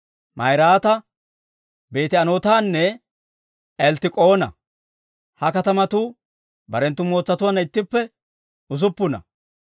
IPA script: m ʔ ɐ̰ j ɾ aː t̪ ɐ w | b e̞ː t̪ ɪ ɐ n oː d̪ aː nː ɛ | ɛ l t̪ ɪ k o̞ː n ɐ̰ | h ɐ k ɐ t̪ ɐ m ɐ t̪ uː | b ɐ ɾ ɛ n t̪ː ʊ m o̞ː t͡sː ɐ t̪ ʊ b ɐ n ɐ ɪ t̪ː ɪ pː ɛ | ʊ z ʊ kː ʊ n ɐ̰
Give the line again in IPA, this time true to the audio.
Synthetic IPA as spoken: m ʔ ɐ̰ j ɾ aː t̪ ɐ | b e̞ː t̪ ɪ ɐ n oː t̪ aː nː ɛ | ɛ l t̪ ɪ kʼ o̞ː n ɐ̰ | h ɐ k ɐ t̪ ɐ m ɐ t̪ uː | b ɐ ɾ ɛ n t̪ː ʊ m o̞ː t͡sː ɐ t̪ ʊ w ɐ n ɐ ɪ t̪ː ɪ pː ɛ | ʊ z ʊ pː ʊ n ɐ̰